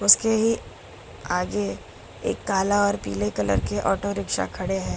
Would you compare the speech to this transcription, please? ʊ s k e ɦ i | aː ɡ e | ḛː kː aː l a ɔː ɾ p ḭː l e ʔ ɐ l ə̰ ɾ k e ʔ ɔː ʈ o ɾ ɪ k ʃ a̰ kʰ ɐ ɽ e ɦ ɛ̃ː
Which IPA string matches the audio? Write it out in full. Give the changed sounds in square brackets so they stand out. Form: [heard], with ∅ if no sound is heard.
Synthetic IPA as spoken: ʊ s k e ɦ i | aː ɡ e | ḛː kː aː l a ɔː ɾ p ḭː l e [k] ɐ l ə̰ ɾ k e ʔ ɔː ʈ o ɾ ɪ k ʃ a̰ kʰ ɐ ɽ e ɦ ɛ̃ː